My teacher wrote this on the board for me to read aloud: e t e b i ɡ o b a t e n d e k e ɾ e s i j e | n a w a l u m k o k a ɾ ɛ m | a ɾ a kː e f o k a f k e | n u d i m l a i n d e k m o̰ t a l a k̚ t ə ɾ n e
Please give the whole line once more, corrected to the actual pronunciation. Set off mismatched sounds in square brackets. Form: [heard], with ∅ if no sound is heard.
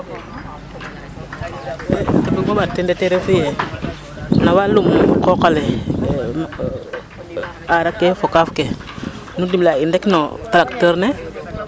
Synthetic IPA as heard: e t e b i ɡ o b a t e n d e [t] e ɾ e [f] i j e | n a w a l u m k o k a [l] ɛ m | a ɾ a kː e f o k a f k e | n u d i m l a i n d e k [n] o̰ t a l a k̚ t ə ɾ n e